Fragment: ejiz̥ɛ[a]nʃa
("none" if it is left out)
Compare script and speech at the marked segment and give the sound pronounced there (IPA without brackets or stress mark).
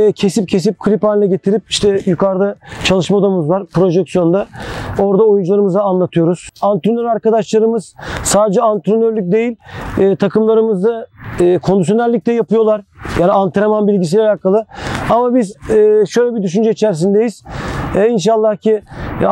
i